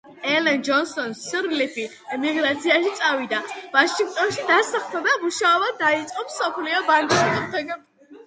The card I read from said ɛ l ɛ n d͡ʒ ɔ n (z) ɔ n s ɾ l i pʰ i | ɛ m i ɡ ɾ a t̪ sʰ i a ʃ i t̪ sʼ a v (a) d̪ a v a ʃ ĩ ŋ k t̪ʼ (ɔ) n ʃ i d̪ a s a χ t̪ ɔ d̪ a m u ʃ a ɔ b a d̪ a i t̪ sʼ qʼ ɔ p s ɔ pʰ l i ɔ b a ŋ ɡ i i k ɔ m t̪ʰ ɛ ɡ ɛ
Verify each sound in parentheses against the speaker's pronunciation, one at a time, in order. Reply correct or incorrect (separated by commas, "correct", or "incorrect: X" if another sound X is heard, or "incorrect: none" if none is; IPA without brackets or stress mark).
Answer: incorrect: s, incorrect: i, correct